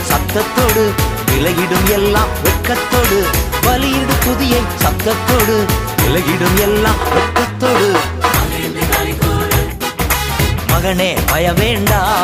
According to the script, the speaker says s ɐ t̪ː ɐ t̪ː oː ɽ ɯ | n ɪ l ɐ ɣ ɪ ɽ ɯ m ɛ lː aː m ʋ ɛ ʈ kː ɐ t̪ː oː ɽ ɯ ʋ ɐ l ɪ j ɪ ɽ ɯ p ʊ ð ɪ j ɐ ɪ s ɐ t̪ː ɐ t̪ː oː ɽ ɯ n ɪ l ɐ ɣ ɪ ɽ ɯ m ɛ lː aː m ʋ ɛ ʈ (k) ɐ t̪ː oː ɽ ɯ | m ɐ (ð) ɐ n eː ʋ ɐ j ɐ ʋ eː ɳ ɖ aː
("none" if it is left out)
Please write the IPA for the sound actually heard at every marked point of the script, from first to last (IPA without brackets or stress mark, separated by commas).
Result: k, ɣ